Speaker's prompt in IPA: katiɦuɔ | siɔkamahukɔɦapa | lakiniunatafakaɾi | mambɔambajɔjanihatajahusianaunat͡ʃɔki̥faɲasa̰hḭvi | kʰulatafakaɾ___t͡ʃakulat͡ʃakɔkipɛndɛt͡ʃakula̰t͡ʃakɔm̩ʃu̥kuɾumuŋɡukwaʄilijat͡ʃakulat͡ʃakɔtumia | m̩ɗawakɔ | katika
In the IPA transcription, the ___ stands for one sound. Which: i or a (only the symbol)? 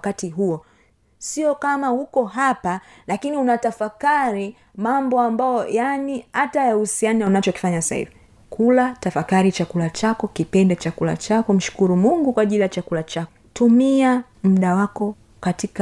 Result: i